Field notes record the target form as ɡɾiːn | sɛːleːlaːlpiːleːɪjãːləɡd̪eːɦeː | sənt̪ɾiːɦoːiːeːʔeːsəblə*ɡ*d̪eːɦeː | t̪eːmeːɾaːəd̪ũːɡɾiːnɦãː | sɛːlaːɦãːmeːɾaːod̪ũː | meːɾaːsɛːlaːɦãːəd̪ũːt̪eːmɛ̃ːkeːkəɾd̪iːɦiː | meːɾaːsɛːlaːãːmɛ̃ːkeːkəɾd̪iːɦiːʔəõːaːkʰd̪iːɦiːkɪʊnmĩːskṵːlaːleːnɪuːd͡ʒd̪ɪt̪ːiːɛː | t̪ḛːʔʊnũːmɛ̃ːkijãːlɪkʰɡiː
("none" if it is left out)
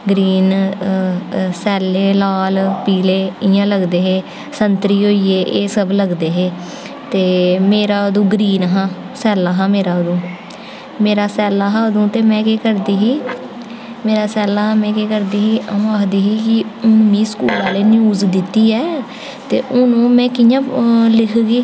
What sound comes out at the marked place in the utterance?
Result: ɡ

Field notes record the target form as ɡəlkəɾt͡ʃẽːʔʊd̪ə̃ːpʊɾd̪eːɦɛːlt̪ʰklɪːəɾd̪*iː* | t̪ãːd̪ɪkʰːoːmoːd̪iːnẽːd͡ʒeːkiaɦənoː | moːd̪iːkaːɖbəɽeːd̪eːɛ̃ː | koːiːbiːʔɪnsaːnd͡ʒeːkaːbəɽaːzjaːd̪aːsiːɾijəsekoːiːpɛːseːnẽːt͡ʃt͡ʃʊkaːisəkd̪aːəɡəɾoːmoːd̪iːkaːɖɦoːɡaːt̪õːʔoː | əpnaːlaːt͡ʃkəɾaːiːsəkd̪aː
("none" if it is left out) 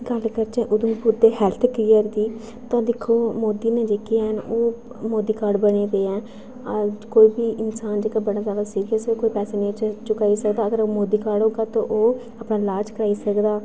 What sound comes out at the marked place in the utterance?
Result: iː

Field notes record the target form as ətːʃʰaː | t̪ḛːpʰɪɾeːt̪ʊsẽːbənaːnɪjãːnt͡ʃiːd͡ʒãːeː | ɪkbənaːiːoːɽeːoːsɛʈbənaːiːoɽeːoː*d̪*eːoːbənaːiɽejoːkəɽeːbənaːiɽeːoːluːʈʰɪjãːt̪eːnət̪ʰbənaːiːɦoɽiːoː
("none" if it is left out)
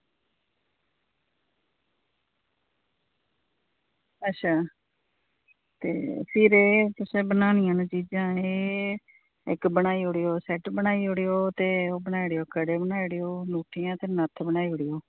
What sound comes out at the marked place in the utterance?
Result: t̪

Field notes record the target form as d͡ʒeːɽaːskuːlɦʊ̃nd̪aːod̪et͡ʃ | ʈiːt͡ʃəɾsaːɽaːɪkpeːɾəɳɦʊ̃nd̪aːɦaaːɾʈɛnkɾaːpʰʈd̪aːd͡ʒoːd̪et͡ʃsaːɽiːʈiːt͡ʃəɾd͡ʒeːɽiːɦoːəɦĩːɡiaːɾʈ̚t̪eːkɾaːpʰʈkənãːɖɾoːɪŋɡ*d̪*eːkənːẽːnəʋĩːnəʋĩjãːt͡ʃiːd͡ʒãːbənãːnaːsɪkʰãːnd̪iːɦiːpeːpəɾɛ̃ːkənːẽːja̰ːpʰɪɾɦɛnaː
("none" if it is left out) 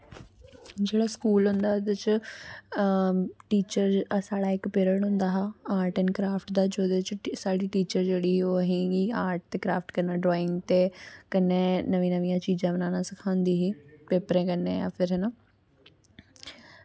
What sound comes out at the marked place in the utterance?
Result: t̪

